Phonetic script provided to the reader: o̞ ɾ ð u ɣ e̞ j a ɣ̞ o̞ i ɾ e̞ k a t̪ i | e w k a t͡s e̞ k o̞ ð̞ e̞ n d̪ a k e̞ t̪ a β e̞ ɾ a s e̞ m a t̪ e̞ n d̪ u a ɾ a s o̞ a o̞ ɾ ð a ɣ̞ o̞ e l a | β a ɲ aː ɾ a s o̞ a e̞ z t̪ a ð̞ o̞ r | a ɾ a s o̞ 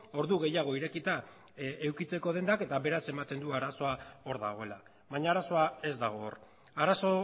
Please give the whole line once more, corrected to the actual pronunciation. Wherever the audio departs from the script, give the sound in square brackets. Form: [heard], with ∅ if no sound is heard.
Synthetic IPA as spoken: o̞ ɾ ð u ɣ e̞ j a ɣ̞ o̞ i ɾ e̞ k [i] t̪ [a] | e w k [i] t͡s e̞ k o̞ ð̞ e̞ n d̪ a k e̞ t̪ a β e̞ ɾ a s e̞ m a t̪ e̞ n d̪ u a ɾ a s o̞ a o̞ ɾ ð a ɣ̞ o̞ e l a | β a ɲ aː ɾ a s o̞ a e̞ z [d̪] a [ɣ̞] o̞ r | a ɾ a s o̞